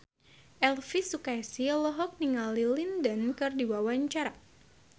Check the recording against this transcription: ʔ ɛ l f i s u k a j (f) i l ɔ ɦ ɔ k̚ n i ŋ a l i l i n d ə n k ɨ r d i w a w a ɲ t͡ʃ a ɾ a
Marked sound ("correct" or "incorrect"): incorrect